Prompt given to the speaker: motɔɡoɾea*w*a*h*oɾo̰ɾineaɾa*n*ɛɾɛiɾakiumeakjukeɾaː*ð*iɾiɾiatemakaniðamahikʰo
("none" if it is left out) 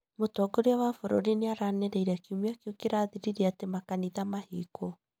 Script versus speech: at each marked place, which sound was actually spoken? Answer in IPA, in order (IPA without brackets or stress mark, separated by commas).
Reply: w, f, n, ð